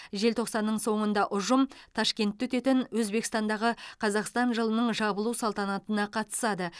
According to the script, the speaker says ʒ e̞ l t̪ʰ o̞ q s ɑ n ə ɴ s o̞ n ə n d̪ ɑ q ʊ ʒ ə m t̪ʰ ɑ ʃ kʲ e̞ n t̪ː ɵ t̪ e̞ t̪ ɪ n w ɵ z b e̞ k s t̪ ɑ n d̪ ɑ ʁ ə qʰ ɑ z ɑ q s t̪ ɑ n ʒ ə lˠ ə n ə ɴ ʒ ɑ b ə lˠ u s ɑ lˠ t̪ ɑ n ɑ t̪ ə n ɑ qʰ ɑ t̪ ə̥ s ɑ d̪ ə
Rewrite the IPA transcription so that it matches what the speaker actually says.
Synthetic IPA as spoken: ʒ e̞ l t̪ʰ o̞ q s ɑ nː ə ɴ s o̞ ɴ ə n d̪ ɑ ʔ ʊ ʒ ə m t̪ʰ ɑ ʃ kʲ e̞ n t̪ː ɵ t̪ e̞ t̪ ɪ n w ɵ z b e̞ k s t̪ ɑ n d̪ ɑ ʁ ə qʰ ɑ z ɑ q s t̪ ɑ n ʒ ə lˠ ə n ə ɴ ʒ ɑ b ə lˠ u s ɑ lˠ t̪ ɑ n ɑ t̪ ə n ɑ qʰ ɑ t̪ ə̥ s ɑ d̪ ə